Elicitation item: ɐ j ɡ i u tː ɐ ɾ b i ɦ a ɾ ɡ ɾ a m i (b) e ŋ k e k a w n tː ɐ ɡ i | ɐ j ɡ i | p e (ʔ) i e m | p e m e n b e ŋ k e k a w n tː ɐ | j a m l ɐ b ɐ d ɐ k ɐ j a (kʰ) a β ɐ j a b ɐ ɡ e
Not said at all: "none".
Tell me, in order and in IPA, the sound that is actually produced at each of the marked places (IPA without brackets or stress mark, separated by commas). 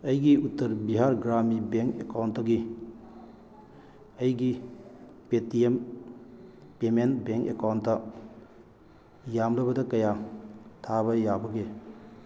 b, t, tʰ